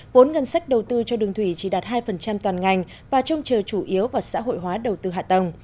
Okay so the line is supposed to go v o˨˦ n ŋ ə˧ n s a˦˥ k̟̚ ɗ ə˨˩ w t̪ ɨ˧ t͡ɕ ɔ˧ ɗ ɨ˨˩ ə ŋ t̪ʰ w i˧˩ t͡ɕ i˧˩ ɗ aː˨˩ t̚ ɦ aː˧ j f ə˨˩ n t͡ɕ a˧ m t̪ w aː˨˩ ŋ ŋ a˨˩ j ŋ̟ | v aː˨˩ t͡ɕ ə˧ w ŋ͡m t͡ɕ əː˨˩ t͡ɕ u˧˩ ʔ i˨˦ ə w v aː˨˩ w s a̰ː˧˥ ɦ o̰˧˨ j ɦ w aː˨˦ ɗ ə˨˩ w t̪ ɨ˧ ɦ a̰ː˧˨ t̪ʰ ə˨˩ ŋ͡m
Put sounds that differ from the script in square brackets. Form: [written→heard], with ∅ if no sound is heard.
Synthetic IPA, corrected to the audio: v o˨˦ n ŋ ə˧ n s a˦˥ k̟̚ ɗ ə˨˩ w t̪ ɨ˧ t͡ɕ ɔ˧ ɗ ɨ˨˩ ə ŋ t̪ʰ w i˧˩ t͡ɕ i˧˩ ɗ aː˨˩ t̚ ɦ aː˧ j f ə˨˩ n t͡ɕ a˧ m t̪ w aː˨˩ [ŋ→n] ŋ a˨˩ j ŋ̟ | v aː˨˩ t͡ɕ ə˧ w ŋ͡m t͡ɕ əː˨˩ t͡ɕ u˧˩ ʔ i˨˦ ə w v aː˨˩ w s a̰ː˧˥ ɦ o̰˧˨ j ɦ w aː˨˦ ɗ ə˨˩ w t̪ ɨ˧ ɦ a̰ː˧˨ [t̪ʰ→t̪] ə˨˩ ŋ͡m